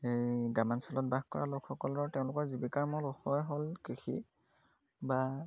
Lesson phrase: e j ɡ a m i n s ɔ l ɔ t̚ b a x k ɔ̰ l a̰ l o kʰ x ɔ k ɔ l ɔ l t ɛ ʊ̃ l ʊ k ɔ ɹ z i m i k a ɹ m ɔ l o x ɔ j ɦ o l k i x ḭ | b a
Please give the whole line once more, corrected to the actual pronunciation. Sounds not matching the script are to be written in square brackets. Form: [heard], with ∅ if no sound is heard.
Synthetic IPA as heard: e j ɡ a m [a] n s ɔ l ɔ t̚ b a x k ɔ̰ [ɹ] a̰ l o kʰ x ɔ k ɔ l ɔ [ɹ] t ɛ ʊ̃ l ʊ k ɔ ɹ z i [b] i k a ɹ m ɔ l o x ɔ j ɦ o l k i x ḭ | b a